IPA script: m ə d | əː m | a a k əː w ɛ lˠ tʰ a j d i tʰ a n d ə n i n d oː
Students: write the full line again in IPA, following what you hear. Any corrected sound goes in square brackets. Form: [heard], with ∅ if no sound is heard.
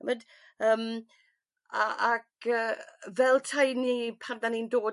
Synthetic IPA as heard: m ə d | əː m | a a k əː [v] ɛ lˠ tʰ a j [n] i [pʰ] a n d [a] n i n d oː